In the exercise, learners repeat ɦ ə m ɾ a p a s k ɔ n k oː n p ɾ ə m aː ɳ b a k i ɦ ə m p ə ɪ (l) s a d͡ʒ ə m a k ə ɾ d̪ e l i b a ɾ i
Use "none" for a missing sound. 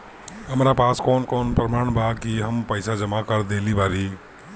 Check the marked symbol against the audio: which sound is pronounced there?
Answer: none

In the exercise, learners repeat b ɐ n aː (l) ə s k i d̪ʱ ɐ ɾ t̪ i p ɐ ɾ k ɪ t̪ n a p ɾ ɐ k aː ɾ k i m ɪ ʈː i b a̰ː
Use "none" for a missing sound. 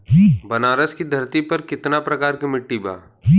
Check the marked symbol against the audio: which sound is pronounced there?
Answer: ɾ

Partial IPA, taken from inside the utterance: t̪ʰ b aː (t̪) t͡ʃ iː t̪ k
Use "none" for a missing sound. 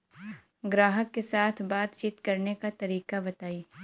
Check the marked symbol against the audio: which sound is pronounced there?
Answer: t̪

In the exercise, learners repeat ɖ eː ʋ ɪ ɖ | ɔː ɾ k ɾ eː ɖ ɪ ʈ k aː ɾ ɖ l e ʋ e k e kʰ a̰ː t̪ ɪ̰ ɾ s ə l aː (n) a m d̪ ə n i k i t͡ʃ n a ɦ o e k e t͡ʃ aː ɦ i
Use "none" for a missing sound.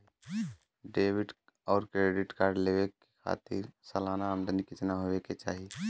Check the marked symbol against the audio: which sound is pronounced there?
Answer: n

